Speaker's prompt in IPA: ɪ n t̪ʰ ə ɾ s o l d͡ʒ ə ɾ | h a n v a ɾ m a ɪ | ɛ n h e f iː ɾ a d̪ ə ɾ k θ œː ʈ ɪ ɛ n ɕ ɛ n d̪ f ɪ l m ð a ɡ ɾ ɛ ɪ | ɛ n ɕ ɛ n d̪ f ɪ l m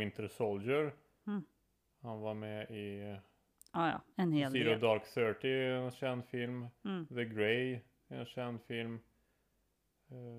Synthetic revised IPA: ɪ n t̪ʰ ə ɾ s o l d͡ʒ ə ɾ | h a n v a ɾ m ɛ ɪ | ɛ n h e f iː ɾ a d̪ ɑ ɾ k θ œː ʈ ɪ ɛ n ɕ ɛ n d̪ f ɪ l m ð ə ɡ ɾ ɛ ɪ | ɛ n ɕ ɛ n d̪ f ɪ l m